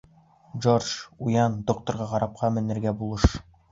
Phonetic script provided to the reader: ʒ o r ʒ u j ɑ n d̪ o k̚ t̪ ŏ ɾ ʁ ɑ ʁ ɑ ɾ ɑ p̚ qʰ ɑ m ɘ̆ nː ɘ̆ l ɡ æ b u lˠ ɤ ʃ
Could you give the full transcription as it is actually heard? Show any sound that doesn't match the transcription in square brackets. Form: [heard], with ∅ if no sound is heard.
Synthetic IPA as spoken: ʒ o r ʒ u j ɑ n d̪ o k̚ t̪ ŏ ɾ ʁ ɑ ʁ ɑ ɾ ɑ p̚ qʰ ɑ m ɘ̆ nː ɘ̆ [ɾ] ɡ æ b u lˠ ɤ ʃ